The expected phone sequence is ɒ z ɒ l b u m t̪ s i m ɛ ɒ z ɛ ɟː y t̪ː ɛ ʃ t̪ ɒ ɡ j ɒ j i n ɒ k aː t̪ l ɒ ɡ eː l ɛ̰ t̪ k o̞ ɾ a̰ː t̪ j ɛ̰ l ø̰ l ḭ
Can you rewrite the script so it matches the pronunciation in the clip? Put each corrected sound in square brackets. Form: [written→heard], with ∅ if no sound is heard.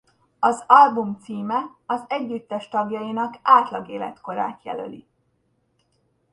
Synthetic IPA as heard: ɒ z ɒ l b u m t̪ s [i→iː] m ɛ ɒ z ɛ ɟː y t̪ː ɛ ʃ t̪ ɒ ɡ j ɒ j i n ɒ k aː t̪ l ɒ ɡ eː l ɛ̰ t̪ k o̞ ɾ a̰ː t̪ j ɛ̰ l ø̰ l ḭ

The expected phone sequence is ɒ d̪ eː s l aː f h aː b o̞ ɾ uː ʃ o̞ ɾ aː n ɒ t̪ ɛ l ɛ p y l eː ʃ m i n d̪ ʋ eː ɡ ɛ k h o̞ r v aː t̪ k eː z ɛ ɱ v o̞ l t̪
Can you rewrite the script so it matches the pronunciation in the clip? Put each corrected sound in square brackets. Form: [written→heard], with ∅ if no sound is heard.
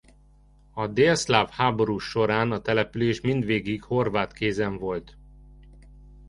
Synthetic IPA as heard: ɒ d̪ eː s l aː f h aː b o̞ ɾ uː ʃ o̞ ɾ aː n ɒ t̪ ɛ l ɛ p y l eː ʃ m i n d̪ ʋ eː ɡ [ɛ→i] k h o̞ r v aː t̪ k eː z ɛ ɱ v o̞ l t̪

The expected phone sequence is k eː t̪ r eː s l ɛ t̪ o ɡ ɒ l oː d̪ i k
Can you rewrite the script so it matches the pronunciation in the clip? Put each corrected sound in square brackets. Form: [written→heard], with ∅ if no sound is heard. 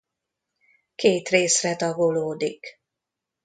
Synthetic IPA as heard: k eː t̪ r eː s [l→r] ɛ t̪ [o→ɒ] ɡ [ɒ→o] l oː d̪ i k

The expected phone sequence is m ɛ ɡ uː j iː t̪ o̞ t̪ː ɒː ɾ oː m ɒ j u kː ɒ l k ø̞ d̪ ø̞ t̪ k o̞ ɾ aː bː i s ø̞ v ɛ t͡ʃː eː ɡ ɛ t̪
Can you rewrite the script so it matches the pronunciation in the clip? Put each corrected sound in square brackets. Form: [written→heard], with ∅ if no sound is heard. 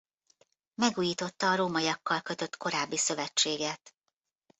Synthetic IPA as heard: m ɛ ɡ uː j iː t̪ o̞ t̪ː ɒː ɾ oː m ɒ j [u→ɒ] kː ɒ l k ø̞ [d̪→t̪] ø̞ t̪ k o̞ ɾ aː bː i s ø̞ v ɛ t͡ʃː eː ɡ ɛ t̪

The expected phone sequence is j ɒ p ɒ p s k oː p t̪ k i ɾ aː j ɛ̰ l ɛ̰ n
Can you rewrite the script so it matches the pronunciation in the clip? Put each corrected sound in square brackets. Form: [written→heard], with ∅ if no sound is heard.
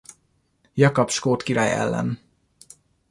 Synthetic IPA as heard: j ɒ [p→k] ɒ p [s→ʃ] k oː [p→∅] t̪ k i ɾ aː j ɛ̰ [l→lː] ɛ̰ n

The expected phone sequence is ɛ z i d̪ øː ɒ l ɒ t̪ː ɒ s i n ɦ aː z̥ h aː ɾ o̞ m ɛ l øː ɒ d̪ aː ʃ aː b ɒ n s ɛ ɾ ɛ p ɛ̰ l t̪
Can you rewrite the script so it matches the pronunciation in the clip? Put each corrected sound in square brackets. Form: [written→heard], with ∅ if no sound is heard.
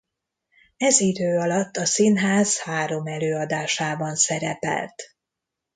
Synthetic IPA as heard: ɛ z i d̪ øː ɒ l ɒ t̪ː ɒ s i n ɦ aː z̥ h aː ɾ o̞ m ɛ l øː ɒ d̪ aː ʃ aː b ɒ n s ɛ ɾ ɛ p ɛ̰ l t̪

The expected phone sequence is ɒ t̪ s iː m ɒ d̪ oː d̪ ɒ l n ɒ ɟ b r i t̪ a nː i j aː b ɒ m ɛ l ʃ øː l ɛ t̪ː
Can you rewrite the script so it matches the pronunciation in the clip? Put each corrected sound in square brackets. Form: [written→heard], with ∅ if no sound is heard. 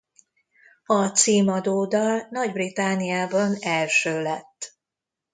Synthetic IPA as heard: ɒ t̪ s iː m ɒ d̪ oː d̪ ɒ l n ɒ ɟ b r i t̪ a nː i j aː b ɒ [m→n] ɛ l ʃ øː l ɛ t̪ː

